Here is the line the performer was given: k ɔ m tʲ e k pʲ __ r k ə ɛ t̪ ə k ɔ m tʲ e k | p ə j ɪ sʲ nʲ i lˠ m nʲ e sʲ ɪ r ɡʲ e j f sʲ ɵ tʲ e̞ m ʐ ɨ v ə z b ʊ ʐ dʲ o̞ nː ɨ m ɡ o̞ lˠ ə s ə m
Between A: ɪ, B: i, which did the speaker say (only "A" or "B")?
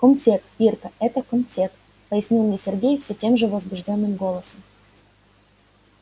B